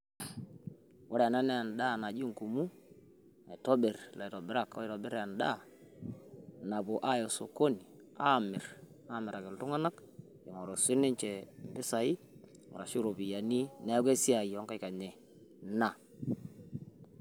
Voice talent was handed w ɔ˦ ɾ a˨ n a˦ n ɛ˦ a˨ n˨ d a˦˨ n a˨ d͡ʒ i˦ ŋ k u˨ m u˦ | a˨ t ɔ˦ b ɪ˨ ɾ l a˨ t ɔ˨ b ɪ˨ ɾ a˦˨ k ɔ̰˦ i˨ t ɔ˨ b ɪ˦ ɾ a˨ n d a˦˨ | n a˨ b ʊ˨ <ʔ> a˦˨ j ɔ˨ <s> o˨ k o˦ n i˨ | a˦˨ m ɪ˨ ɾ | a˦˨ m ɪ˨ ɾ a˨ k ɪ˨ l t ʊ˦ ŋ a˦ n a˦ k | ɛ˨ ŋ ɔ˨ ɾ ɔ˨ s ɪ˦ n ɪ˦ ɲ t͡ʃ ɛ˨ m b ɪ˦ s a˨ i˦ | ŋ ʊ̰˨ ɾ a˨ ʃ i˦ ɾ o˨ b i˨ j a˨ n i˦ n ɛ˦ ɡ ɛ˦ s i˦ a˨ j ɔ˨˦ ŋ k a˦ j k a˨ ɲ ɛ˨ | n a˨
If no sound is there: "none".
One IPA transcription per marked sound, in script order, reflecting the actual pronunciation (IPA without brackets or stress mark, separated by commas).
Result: ʔ, s